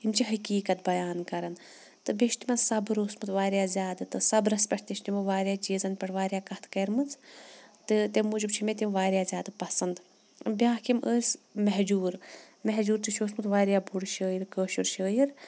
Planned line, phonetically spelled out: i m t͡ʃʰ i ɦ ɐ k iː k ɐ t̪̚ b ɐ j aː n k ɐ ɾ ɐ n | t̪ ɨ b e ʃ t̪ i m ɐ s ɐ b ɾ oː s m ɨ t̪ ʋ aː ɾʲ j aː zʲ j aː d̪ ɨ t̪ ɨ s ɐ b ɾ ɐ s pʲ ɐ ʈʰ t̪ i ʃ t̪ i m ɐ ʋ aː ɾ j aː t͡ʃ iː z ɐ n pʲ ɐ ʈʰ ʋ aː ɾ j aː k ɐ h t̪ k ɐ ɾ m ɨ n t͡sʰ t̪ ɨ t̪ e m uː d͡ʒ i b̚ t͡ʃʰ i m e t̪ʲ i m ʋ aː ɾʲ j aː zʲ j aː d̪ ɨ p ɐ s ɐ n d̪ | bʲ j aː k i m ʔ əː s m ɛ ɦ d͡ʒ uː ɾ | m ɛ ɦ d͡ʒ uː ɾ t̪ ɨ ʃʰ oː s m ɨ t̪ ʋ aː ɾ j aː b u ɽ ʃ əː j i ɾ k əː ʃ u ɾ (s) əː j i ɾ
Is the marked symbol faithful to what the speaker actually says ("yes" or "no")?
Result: no